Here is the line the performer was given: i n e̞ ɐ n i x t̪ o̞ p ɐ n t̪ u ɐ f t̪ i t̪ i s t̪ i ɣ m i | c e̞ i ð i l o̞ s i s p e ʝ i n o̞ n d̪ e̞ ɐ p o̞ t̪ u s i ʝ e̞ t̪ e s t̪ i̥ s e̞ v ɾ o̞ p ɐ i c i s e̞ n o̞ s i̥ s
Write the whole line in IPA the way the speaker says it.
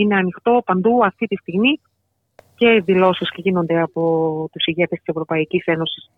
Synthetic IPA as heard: i n e̞ ɐ n i x t̪ o̞ p ɐ n d̪ u ɐ f t̪ i t̪ i s t̪ i ɣ m i | c e̞ i ð i l o̞ s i s c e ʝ i n o̞ n d̪ e̞ ɐ p o̞ t̪ u s i ʝ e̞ t̪ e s t̪ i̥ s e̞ v ɾ o̞ p ɐ i c i s e̞ n o̞ s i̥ s